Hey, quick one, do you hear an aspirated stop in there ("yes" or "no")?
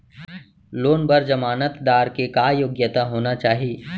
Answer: no